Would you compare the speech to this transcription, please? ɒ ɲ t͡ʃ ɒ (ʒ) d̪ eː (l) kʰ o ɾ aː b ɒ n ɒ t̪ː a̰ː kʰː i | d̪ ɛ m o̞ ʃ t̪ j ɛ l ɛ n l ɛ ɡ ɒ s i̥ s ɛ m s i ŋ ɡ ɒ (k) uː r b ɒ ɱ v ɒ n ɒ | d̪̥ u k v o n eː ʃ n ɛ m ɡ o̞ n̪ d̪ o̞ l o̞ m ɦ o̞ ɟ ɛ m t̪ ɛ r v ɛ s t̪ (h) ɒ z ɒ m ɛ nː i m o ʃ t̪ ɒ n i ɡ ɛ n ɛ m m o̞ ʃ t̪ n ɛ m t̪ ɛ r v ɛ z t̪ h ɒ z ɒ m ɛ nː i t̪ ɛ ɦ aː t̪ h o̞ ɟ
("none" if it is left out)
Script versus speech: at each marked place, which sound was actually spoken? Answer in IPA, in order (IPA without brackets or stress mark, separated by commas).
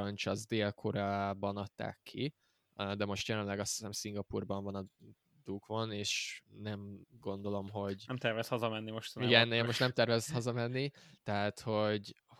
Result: z, l, p, h